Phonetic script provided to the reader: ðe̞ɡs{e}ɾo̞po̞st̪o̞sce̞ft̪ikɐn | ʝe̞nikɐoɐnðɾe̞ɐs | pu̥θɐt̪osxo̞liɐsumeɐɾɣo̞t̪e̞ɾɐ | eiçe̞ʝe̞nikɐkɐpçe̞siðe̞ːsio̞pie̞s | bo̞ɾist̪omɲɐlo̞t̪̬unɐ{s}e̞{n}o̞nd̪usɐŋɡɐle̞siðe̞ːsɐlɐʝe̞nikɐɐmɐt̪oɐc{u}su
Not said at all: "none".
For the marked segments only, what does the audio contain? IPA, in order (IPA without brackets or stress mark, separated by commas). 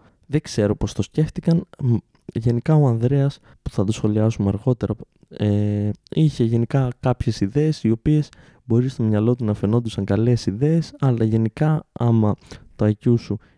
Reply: e, f, n, u